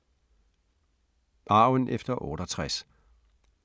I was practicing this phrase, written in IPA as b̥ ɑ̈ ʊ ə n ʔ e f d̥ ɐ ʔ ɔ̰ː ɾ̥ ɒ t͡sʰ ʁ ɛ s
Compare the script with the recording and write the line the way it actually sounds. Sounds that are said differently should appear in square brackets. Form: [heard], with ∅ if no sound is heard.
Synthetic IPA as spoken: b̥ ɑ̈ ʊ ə n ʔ e f d̥ ɐ ʔ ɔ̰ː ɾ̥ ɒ t͡sʰ ʁ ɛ s